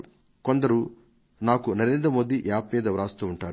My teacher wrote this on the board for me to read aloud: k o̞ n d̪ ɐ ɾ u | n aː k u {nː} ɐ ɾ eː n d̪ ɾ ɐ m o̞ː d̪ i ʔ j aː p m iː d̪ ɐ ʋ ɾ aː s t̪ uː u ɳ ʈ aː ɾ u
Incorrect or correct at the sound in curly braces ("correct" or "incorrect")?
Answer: incorrect